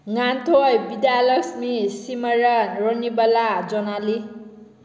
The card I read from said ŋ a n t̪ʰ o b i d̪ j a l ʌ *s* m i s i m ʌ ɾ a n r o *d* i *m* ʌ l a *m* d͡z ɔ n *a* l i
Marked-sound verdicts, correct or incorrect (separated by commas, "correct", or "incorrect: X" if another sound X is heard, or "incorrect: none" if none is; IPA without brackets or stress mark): correct, incorrect: n, incorrect: b, incorrect: none, correct